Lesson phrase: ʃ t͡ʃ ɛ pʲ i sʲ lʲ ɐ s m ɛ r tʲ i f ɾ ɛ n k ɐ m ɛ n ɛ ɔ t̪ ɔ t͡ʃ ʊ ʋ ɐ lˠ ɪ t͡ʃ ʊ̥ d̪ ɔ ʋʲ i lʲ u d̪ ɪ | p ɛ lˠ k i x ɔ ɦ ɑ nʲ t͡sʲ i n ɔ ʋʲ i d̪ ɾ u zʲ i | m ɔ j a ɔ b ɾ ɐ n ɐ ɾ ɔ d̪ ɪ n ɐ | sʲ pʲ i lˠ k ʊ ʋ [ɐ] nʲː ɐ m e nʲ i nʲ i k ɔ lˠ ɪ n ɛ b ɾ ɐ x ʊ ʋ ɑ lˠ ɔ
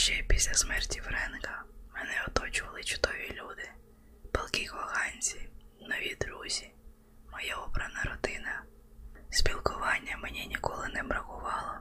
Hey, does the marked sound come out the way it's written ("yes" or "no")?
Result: no